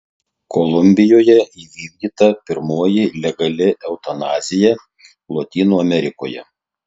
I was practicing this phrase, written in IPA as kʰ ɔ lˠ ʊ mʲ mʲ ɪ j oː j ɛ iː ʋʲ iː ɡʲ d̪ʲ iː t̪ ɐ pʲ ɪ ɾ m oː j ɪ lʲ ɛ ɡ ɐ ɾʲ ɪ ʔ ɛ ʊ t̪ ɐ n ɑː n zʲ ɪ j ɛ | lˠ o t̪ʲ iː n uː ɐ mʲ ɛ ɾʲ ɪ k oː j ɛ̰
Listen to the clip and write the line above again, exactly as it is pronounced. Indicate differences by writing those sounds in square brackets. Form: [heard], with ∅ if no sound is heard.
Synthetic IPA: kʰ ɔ lˠ ʊ mʲ [bʲ] ɪ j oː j ɛ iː ʋʲ iː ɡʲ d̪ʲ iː t̪ ɐ pʲ ɪ ɾ m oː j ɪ lʲ ɛ ɡ ɐ [lʲ] ɪ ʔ ɛ ʊ t̪ ɐ n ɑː [∅] zʲ ɪ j ɛ | lˠ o t̪ʲ iː n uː ɐ mʲ ɛ ɾʲ ɪ k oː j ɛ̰